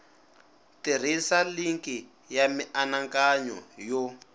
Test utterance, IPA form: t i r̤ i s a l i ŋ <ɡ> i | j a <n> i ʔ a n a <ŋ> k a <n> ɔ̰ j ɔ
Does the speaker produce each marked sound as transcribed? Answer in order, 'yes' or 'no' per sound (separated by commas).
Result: no, no, yes, no